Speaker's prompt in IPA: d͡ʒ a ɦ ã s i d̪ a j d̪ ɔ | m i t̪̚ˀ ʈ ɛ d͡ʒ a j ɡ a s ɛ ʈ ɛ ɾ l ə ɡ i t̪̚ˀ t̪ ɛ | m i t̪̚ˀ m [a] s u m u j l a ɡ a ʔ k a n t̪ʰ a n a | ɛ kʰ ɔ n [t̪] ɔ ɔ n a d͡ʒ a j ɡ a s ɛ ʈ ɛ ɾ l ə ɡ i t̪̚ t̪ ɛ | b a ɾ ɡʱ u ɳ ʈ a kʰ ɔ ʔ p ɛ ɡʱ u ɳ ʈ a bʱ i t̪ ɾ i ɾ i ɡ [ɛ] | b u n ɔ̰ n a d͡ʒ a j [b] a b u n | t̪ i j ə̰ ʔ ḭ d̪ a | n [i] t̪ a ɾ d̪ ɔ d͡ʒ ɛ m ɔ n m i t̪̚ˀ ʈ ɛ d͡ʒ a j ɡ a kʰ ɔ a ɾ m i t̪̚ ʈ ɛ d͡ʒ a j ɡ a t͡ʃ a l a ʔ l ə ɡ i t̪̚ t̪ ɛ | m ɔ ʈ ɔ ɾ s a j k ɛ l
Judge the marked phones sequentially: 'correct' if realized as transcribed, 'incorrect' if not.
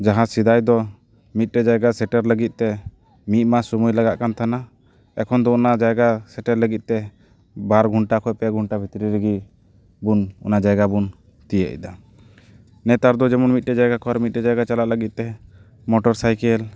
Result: correct, incorrect, incorrect, incorrect, incorrect

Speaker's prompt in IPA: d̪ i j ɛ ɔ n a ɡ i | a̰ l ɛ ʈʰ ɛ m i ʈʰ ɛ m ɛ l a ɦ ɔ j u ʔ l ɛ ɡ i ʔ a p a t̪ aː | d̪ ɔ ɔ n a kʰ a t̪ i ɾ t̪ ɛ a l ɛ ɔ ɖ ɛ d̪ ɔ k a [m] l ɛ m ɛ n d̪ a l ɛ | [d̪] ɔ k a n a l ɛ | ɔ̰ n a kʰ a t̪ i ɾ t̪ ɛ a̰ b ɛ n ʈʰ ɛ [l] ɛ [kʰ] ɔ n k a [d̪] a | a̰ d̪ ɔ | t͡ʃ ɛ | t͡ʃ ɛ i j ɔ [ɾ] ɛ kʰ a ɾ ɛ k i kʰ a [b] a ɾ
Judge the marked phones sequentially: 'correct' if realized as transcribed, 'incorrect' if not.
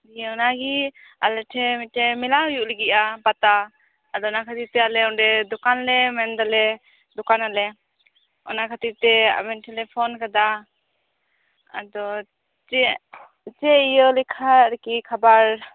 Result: incorrect, correct, correct, incorrect, correct, incorrect, correct

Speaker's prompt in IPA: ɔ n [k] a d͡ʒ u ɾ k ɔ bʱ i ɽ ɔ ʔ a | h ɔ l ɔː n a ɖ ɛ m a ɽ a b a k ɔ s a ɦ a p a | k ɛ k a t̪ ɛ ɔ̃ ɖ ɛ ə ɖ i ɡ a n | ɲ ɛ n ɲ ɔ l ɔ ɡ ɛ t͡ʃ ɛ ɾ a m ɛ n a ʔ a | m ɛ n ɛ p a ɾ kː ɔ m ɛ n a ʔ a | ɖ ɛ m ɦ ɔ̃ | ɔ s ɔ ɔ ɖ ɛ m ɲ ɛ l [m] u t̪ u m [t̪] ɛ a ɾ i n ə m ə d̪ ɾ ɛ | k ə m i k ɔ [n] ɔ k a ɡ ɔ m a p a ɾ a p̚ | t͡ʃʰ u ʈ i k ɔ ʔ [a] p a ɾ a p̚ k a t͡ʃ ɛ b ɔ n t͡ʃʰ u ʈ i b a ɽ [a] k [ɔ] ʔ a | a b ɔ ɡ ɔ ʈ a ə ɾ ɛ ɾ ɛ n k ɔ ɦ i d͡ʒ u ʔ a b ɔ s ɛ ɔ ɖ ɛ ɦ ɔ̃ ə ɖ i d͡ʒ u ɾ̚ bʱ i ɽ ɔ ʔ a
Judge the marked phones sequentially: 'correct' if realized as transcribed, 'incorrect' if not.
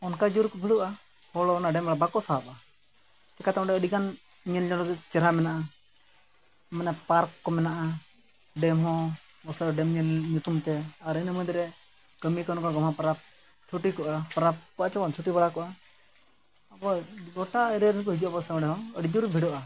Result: correct, incorrect, correct, correct, correct, correct, correct

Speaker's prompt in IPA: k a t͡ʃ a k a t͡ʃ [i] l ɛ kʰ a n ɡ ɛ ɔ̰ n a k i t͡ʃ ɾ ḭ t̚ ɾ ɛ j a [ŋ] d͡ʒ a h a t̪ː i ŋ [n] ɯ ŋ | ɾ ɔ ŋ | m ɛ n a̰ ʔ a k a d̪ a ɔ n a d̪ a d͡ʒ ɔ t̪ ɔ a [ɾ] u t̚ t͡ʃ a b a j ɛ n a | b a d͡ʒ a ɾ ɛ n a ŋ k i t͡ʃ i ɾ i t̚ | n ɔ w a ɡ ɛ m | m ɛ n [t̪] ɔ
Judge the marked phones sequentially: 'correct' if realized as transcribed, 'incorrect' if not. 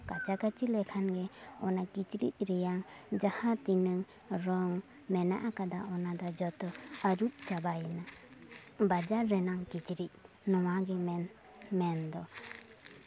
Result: correct, correct, correct, correct, incorrect

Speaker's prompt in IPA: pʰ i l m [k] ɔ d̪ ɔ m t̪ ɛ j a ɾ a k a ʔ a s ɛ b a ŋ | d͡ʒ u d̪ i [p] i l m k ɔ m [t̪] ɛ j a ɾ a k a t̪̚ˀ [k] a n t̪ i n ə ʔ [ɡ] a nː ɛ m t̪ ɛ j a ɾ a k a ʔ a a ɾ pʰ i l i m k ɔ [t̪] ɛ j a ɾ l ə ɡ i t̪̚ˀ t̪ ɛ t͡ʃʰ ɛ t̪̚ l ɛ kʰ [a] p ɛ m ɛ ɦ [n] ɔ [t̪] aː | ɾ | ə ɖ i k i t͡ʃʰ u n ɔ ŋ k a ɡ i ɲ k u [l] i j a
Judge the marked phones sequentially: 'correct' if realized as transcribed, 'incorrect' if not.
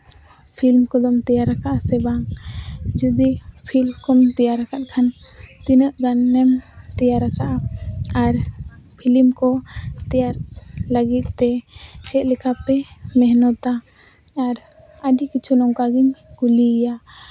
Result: correct, incorrect, correct, incorrect, correct, correct, correct, correct, correct, correct

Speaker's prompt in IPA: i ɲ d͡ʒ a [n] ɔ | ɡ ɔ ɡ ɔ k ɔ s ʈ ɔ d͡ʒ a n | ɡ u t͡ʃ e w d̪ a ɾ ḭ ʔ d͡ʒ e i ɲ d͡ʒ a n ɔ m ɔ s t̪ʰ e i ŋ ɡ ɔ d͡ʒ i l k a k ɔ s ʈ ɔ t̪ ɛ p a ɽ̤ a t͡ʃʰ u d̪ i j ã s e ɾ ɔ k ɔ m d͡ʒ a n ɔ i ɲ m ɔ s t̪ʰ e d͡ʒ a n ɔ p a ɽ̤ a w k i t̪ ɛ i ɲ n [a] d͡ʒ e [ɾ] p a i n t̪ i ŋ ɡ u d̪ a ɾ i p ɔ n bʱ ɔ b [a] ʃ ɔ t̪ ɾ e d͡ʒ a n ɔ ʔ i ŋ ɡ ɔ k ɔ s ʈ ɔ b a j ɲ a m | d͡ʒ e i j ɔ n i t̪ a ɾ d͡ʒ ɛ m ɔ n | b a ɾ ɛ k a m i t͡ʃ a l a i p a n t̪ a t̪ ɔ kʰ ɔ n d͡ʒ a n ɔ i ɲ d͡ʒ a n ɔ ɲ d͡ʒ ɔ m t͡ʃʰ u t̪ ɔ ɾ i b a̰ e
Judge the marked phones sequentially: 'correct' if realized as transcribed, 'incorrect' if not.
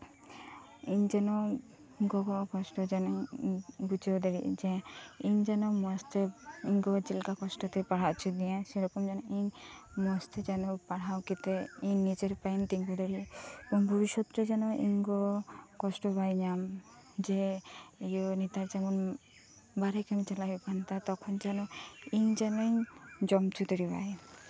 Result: correct, incorrect, correct, incorrect

